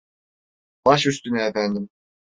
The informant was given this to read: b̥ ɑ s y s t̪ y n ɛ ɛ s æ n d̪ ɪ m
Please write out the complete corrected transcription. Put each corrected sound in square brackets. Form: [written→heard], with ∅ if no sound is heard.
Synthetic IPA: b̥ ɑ [s→ʃ] y s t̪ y n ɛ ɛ [s→f] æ n d̪ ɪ m

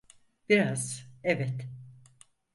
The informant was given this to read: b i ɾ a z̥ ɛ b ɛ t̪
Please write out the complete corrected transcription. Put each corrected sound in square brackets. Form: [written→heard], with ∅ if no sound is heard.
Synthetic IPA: b i ɾ a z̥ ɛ [b→v] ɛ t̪

